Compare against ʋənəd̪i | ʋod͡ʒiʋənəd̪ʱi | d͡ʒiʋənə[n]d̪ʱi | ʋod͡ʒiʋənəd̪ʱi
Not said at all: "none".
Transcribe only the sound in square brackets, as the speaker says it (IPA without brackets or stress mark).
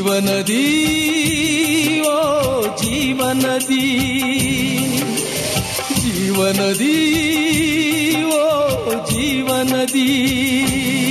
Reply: none